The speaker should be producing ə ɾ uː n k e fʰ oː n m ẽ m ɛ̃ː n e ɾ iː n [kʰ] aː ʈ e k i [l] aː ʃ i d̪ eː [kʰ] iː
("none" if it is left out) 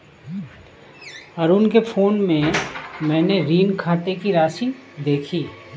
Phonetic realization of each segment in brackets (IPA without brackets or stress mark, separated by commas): kʰ, ɾ, kʰ